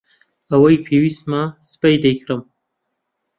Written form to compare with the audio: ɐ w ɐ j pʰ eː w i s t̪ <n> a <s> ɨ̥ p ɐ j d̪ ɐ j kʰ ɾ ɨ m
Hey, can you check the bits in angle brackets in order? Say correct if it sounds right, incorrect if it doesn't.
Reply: incorrect: m, correct

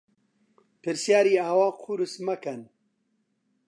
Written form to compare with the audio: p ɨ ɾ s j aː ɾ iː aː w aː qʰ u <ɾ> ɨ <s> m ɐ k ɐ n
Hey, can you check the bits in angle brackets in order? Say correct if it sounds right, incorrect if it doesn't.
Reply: correct, correct

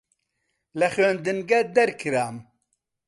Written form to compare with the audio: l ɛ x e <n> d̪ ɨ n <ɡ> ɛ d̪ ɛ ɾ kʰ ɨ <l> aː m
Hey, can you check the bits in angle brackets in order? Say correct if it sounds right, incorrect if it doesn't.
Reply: correct, correct, incorrect: ɾ

